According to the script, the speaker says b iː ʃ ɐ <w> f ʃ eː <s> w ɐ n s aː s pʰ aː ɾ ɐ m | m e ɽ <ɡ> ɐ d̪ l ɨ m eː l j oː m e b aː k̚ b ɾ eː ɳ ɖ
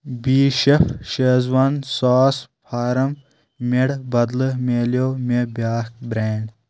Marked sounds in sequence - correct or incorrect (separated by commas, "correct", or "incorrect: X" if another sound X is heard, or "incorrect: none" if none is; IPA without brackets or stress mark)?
incorrect: none, incorrect: z, incorrect: b